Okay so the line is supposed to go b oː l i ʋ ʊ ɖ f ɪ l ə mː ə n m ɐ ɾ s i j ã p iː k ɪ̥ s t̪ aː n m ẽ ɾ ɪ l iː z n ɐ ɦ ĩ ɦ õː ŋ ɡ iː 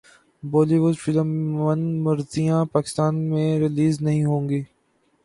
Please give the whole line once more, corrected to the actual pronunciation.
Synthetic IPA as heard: b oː l i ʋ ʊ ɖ f ɪ l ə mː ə n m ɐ ɾ z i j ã p aː k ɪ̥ s t̪ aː n m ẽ ɾ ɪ l iː z n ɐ ɦ ĩ ɦ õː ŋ ɡ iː